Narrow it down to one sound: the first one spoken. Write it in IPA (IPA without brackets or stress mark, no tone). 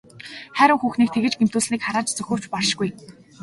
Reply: χ